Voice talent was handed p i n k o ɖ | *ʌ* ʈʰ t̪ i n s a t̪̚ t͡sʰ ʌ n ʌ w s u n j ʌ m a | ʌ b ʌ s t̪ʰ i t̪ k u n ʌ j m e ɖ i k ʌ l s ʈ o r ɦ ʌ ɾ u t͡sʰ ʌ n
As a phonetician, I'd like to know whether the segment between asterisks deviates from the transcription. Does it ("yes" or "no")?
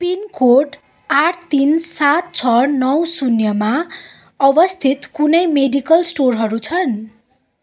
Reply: yes